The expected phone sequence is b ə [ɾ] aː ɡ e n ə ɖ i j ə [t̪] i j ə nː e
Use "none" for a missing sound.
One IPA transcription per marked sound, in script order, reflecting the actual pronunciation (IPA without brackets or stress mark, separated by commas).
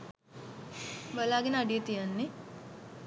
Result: l, t̪